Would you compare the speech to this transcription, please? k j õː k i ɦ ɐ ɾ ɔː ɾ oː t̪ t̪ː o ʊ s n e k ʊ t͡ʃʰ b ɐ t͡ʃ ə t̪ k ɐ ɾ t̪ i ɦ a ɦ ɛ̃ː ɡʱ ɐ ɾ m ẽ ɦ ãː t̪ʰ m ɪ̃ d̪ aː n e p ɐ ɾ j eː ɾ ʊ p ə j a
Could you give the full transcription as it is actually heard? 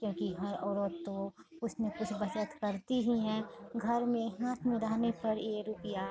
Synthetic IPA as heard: k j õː k i ɦ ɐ ɾ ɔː ɾ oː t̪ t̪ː o ʊ s n e k ʊ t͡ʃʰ b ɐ t͡ʃ ə t̪ k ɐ ɾ t̪ i ɦ i ɦ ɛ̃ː ɡʱ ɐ ɾ m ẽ ɦ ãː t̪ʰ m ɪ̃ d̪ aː n e p ɐ ɾ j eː ɾ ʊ p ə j a